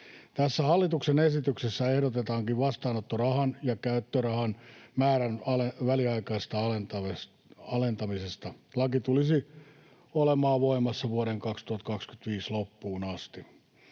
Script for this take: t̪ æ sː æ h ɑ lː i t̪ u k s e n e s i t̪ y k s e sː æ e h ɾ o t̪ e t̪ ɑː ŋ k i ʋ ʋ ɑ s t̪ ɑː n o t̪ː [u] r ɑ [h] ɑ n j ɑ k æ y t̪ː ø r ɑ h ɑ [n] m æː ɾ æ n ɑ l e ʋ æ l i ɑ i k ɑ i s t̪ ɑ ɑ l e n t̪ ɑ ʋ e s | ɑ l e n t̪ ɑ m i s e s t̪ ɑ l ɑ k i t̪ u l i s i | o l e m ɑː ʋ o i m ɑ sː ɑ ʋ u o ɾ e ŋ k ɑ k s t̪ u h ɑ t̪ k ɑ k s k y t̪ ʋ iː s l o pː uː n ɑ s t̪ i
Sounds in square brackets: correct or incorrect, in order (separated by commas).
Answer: incorrect, correct, correct